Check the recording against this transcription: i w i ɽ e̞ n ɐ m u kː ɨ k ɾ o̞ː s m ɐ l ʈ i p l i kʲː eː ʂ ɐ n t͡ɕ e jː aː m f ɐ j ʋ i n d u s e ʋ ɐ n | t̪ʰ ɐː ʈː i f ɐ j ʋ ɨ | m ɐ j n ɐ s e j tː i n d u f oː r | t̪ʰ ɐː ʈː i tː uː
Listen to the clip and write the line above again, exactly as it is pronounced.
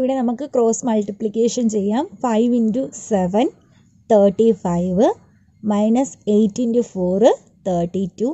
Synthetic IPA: i ʋ i ɽ e̞ n ɐ m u kː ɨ k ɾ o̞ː s m ɐ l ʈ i p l i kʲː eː ʂ ɐ n t͡ɕ e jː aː m f ɐ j ʋ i n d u s e ʋ ɐ n | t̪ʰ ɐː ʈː i f ɐ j ʋ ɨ | m ɐ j n ɐ s e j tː i n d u f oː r | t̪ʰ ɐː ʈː i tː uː